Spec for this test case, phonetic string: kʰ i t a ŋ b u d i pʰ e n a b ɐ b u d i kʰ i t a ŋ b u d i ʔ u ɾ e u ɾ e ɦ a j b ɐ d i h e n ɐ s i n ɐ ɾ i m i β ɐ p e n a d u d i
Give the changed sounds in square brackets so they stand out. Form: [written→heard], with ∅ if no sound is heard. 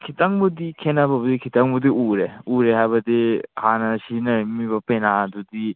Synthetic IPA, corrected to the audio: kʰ i t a ŋ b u d i [pʰ→kʰ] e n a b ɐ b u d i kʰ i t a ŋ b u d i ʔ u ɾ e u ɾ e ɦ a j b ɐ d i h [e→a] n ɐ s i n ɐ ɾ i m i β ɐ p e n a d u d i